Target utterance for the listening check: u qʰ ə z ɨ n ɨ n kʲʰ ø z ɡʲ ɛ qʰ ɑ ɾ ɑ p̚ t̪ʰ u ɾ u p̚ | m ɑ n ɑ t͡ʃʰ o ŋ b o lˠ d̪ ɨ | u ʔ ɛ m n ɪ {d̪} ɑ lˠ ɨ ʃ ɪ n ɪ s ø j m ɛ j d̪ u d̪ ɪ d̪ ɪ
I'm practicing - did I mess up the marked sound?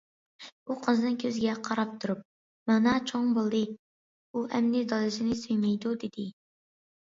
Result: no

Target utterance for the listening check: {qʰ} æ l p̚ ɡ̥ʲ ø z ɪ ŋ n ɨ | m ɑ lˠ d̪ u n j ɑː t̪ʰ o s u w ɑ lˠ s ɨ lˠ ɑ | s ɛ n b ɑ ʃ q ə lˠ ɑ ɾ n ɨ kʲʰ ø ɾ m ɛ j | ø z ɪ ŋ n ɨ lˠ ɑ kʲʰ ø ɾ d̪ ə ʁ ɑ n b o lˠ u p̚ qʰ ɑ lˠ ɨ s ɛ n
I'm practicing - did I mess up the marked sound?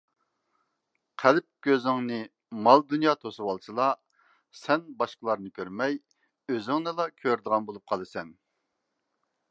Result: no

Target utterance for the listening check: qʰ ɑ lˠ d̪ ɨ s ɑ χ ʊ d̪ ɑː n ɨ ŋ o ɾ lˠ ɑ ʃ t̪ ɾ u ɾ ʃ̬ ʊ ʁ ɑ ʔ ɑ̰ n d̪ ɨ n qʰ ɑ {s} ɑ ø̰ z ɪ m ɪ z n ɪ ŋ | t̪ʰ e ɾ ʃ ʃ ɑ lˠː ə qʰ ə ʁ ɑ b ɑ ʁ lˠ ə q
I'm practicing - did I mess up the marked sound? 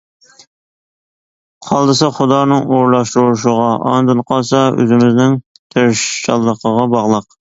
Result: no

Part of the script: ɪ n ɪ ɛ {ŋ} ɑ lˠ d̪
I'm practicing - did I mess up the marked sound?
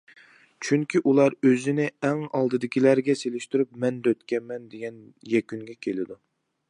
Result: no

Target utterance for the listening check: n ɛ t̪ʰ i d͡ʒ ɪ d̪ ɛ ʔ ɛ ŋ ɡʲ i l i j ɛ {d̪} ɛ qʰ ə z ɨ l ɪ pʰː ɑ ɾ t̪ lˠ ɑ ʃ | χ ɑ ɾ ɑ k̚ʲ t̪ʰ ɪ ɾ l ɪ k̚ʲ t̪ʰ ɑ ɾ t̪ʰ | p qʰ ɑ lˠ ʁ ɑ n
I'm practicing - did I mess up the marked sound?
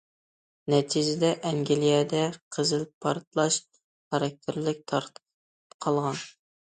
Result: no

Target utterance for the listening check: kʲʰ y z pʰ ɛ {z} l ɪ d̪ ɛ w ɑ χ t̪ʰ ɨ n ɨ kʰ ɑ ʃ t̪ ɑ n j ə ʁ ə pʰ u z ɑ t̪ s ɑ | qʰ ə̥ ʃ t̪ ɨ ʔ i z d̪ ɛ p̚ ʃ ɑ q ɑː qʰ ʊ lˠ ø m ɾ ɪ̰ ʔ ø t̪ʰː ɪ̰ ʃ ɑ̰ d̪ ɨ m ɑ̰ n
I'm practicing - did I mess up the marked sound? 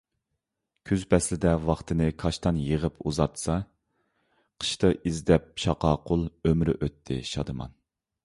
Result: yes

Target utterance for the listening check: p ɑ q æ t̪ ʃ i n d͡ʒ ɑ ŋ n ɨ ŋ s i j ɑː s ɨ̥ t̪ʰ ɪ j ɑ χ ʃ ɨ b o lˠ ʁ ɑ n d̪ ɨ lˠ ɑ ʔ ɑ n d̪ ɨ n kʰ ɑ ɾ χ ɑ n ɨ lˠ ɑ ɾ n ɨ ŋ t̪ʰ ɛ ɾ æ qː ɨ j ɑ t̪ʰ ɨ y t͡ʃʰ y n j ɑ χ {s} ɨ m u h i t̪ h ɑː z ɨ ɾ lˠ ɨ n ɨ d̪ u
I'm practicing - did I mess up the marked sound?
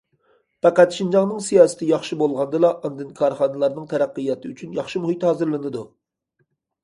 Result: yes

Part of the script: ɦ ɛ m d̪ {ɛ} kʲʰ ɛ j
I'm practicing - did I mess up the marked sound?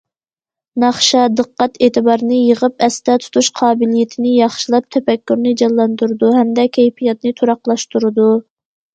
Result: no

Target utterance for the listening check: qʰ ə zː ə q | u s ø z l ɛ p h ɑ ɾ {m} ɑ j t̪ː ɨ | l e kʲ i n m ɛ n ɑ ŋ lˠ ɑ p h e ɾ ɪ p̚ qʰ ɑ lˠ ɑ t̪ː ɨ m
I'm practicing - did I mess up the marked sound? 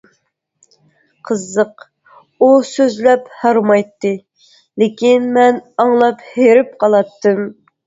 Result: no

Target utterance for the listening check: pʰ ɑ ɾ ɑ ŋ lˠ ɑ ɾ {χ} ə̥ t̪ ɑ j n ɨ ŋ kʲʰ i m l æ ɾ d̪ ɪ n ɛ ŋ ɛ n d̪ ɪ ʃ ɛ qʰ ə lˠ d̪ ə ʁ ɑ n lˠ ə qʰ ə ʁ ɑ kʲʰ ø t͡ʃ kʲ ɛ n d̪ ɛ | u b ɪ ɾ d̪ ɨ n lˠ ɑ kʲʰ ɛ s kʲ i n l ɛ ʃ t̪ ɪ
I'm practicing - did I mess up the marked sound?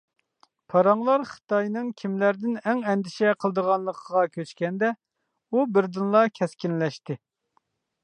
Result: no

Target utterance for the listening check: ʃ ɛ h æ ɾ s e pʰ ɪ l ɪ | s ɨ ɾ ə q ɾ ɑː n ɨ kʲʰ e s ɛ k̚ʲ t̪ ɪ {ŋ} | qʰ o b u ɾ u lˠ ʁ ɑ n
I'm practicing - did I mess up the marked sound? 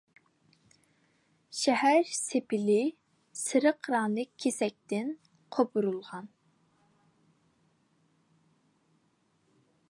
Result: yes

